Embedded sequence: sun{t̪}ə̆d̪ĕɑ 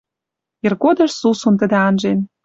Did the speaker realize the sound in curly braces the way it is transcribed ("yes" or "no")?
yes